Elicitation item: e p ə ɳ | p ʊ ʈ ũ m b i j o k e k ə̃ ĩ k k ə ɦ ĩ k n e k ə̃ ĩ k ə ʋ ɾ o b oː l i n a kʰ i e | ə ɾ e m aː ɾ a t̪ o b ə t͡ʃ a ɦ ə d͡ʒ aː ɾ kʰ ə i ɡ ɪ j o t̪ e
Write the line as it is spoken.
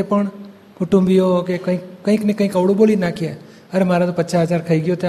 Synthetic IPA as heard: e p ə ɳ | k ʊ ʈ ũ m b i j o k e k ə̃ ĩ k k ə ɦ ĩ k n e k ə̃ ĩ k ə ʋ ɽ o b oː l i n a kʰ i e | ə ɾ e m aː ɾ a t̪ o p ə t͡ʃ a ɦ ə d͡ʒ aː ɾ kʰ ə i ɡ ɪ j o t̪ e